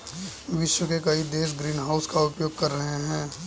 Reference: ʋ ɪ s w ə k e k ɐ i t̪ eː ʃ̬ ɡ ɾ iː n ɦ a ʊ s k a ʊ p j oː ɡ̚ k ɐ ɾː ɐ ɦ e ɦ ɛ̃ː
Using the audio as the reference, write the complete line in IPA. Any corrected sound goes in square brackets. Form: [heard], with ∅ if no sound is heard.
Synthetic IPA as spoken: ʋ ɪ [ʃ] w ə k e k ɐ i [d̪] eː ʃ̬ ɡ ɾ iː n ɦ a ʊ s k a ʊ p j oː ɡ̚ k ɐ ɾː ɐ ɦ e ɦ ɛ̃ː